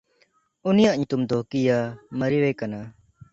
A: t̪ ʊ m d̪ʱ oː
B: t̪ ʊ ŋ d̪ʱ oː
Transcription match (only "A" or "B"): A